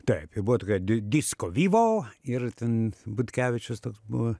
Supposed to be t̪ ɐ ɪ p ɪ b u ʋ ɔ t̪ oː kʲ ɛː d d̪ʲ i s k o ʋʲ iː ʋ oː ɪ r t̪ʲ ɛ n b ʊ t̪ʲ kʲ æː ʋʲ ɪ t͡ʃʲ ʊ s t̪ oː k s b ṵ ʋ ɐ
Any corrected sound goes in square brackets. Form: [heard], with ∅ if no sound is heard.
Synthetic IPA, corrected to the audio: t̪ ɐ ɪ p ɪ b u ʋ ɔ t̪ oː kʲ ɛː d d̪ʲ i s k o ʋʲ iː ʋ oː ɪ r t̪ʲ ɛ n b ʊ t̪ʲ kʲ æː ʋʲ ɪ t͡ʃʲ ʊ s t̪ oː k s b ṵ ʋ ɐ